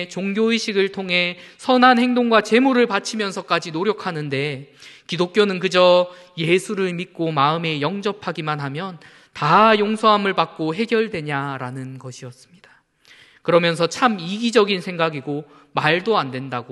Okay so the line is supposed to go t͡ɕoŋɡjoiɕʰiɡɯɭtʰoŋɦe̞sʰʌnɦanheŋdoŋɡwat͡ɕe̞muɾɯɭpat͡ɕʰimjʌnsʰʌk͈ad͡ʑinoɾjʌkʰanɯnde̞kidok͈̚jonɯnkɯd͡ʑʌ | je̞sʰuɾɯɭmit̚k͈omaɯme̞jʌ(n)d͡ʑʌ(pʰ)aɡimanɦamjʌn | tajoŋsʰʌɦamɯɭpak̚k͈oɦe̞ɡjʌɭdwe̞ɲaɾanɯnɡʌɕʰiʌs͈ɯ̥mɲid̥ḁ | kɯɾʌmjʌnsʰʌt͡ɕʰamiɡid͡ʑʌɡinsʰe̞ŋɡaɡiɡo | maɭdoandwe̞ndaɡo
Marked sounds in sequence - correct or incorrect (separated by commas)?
incorrect, correct